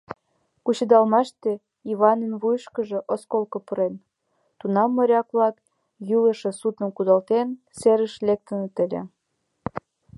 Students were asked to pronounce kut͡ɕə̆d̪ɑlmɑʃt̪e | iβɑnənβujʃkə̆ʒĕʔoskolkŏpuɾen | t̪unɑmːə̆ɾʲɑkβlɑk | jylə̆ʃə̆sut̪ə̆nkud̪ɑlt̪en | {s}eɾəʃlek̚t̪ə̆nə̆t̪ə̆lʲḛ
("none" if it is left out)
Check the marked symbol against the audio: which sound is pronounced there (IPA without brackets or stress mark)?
s